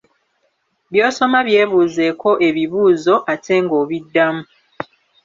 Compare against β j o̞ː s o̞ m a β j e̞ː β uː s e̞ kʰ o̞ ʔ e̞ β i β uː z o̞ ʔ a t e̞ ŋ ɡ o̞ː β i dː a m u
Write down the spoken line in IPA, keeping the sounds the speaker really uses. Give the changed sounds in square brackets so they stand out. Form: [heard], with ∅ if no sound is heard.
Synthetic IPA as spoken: β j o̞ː s o̞ m a β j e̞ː β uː [z] e̞ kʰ o̞ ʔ e̞ β i β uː z o̞ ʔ a t e̞ ŋ ɡ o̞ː β i dː a m u